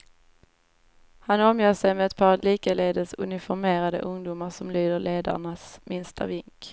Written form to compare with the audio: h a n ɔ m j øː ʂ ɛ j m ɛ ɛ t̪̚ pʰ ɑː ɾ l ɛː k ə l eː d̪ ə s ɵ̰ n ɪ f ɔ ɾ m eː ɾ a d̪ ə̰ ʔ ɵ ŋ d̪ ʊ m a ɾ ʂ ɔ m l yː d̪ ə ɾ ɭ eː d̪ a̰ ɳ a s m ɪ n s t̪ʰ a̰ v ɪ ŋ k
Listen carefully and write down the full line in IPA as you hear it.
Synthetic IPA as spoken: h a n ɔ m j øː ʂ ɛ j m ɛ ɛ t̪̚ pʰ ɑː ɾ l iː k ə l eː d̪ ə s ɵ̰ n ɪ f ɔ ɾ m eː ɾ a d̪ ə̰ ʔ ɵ ŋ d̪ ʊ m a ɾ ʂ ɔ m l yː d̪ ə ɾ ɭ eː d̪ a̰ ɳ a s m ɪ n s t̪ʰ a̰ v ɪ ŋ k